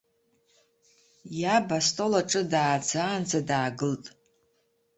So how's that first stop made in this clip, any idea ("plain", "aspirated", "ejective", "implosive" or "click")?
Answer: plain